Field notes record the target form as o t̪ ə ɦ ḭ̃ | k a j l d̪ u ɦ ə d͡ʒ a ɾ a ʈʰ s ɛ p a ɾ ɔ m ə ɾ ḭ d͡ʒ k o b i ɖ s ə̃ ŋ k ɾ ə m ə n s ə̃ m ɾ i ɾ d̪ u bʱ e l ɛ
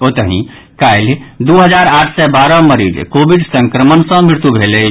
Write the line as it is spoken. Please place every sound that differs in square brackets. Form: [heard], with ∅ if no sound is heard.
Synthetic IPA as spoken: o t̪ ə ɦ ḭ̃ | k a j l d̪ u ɦ ə d͡ʒ a ɾ a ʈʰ s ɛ [b] a ɾ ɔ m ə ɾ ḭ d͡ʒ k o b i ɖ s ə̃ ŋ k ɾ ə m ə n s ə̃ m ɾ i ɾ [t̪] u bʱ e l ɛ